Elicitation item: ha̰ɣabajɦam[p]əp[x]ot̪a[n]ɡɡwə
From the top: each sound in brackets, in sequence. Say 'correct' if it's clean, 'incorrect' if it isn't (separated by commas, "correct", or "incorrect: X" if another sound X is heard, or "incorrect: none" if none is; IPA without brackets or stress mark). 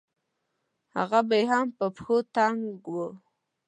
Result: correct, correct, incorrect: ŋ